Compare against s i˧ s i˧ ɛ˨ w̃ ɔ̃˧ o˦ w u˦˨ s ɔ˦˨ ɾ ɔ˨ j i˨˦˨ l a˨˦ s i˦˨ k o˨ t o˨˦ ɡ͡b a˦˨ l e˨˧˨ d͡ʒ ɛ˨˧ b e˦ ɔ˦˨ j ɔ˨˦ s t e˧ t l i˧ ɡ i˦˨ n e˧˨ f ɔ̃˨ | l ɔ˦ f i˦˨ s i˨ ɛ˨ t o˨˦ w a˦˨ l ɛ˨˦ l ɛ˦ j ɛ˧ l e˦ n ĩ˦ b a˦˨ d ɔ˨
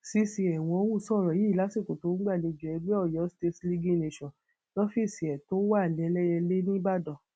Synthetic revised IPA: s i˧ s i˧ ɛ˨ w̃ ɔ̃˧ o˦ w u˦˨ s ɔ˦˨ ɾ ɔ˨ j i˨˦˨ l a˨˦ s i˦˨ k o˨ t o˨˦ ɡ͡b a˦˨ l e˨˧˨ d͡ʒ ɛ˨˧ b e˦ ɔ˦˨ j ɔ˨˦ s t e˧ t l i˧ ɡ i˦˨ n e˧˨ ʃ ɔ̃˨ | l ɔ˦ f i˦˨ s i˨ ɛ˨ t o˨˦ w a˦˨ l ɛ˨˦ l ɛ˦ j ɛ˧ l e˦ n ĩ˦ b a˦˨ d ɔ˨